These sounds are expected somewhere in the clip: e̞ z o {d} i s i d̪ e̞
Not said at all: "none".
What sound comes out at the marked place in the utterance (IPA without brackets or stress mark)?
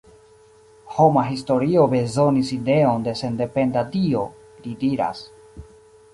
n